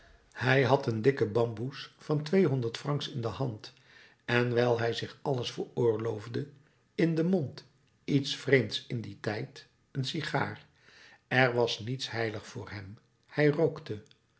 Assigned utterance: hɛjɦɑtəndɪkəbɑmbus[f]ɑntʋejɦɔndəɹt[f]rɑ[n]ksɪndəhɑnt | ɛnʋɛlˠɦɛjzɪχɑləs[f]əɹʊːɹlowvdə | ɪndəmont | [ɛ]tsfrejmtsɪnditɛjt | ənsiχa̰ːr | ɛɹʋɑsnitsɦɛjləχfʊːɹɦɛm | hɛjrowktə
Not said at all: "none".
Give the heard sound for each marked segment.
f, f, ŋ, f, i

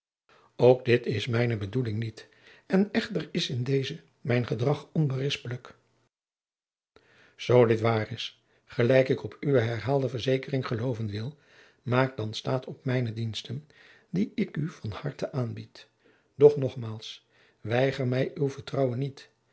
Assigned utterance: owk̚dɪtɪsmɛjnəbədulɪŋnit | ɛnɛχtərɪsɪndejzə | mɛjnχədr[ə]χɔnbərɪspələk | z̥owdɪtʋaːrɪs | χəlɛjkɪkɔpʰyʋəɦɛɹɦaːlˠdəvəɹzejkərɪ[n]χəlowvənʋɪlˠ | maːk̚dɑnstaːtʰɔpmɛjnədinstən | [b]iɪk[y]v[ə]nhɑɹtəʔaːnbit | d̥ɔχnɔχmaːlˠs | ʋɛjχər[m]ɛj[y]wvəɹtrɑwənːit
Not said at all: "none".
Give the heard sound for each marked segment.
ɑ, ŋ, d, y, ɑ, m, y

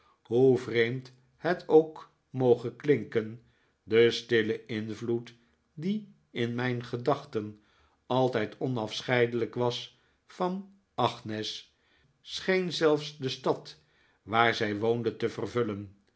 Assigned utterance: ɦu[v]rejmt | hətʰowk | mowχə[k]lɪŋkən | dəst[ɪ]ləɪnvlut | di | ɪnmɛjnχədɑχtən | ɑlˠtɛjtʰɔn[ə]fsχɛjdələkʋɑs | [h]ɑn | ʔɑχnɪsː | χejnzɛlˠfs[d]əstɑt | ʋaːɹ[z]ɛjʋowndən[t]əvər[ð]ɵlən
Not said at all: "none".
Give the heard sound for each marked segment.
v, k, ɪ, ɑ, f, d, z, t, v

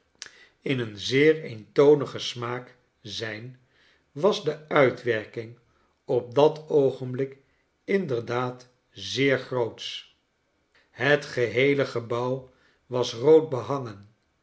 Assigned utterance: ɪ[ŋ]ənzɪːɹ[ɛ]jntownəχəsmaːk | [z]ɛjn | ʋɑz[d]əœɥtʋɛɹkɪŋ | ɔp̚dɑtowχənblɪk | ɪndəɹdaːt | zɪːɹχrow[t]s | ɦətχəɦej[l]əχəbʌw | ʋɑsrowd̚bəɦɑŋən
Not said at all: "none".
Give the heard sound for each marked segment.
n, e, z, d, t, l

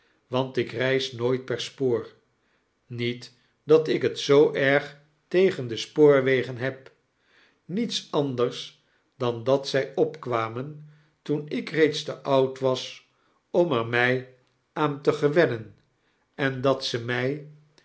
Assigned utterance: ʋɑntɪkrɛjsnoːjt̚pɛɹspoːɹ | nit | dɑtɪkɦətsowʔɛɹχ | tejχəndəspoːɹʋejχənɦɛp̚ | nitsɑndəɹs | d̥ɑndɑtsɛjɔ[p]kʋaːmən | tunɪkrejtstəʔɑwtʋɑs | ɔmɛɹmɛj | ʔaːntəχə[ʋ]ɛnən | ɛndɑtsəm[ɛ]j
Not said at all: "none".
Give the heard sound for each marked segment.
p, ʋ, ɛ

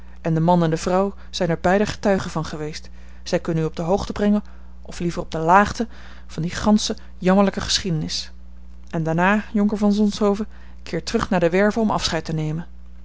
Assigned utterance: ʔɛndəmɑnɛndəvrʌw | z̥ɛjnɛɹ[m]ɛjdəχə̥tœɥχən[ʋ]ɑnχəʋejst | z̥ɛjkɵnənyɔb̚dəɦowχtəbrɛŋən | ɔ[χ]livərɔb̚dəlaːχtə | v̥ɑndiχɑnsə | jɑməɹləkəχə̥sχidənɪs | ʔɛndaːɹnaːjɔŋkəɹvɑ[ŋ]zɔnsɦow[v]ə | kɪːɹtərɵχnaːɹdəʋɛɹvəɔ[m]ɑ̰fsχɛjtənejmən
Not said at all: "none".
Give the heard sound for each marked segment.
b, v, f, n, v, m

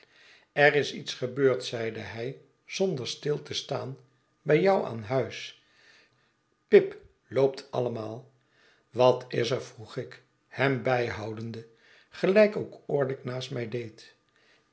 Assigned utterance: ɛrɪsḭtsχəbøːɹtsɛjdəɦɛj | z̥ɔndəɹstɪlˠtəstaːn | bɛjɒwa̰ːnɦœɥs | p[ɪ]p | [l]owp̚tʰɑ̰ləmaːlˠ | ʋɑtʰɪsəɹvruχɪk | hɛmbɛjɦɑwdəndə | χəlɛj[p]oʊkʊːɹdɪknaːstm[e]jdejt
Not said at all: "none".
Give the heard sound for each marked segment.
ɪ, l, k, ɛ

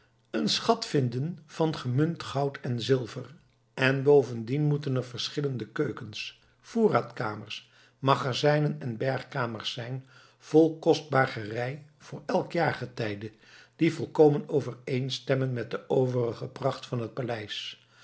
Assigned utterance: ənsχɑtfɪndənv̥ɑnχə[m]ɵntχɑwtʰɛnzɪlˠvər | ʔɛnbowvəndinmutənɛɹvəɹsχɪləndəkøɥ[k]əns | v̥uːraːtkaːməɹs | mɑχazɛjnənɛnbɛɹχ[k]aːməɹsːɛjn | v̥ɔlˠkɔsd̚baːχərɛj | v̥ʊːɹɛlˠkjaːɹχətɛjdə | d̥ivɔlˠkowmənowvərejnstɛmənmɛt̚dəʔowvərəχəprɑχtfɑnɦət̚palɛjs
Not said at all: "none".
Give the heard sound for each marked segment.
m, k, k

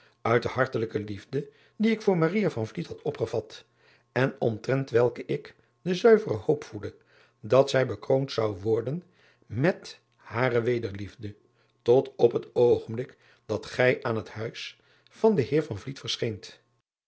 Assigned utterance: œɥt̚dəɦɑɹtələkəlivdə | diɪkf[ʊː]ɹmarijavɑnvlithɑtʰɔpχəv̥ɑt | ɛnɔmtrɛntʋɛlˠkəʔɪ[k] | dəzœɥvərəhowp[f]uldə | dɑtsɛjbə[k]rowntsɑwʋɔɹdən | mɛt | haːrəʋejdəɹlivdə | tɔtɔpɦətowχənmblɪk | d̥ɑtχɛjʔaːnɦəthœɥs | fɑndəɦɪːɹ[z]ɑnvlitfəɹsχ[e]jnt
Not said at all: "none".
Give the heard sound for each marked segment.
ʊː, k, f, k, v, e

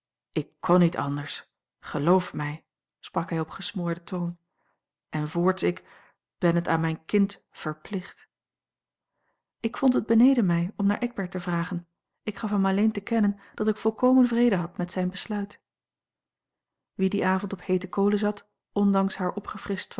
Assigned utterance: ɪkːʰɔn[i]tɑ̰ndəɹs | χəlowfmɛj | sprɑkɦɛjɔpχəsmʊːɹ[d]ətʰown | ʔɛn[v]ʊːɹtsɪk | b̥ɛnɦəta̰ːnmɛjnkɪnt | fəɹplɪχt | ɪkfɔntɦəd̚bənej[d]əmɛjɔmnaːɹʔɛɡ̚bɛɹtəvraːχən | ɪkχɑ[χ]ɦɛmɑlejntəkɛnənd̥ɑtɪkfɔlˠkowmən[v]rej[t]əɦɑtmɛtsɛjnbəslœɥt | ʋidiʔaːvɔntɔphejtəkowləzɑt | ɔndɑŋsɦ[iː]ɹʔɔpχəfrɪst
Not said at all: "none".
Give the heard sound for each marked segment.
i, d, v, d, f, v, d, aː

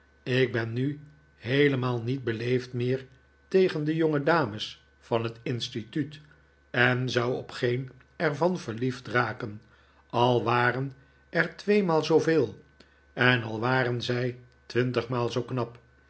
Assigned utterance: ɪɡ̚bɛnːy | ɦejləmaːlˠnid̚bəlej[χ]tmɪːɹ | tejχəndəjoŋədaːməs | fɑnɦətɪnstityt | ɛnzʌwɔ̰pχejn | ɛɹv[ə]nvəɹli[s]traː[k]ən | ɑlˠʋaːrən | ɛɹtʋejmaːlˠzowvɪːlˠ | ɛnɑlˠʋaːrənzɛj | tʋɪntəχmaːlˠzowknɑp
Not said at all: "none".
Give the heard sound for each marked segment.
f, ɑ, f, k

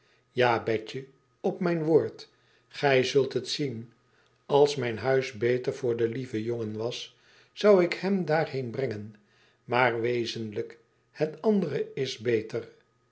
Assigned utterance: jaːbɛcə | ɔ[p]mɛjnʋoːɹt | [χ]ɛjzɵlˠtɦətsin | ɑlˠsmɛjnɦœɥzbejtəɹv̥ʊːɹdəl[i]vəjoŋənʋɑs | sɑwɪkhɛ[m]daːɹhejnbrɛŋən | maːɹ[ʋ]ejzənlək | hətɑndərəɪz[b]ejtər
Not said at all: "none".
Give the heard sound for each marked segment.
p, χ, i, m, ʋ, b

